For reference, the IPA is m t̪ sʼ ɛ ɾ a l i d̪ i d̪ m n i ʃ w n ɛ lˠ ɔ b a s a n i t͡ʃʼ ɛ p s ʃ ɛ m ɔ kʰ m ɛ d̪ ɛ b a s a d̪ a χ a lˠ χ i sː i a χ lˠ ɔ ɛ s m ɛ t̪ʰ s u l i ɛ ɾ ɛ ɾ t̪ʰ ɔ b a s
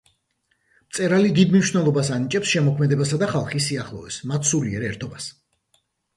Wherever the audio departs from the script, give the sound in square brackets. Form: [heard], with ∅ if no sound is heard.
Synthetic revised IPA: m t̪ sʼ ɛ ɾ a l i d̪ i d̪ m n i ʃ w n ɛ lˠ ɔ b a s a n i t͡ʃʼ ɛ p s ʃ ɛ m ɔ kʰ m ɛ d̪ ɛ b a s a d̪ a χ a lˠ χ i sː i a χ lˠ ɔ ɛ s m [a] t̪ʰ s u l i ɛ ɾ ɛ ɾ t̪ʰ ɔ b a s